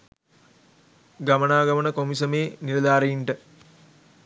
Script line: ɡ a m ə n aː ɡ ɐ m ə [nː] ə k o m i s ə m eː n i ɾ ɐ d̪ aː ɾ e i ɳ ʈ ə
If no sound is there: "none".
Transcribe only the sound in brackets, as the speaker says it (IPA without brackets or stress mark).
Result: n